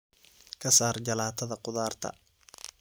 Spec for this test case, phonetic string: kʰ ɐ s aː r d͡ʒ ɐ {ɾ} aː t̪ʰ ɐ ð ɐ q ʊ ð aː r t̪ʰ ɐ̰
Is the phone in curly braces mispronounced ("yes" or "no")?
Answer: yes